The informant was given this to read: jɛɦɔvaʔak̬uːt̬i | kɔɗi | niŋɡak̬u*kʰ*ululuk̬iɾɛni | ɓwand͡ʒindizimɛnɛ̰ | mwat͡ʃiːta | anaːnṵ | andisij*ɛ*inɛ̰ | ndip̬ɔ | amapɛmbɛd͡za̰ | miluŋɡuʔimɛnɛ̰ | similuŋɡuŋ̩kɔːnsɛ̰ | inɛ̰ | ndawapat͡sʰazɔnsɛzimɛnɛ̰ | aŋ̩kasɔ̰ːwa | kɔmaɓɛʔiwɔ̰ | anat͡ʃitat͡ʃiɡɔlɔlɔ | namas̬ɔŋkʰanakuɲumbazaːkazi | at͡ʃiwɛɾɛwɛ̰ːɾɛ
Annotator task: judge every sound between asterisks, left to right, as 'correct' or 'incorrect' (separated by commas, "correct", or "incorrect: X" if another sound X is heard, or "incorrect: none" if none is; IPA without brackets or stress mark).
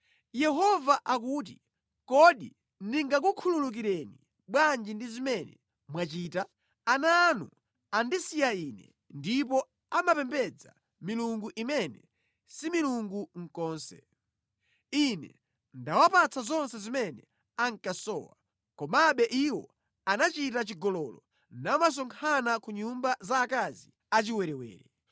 correct, incorrect: a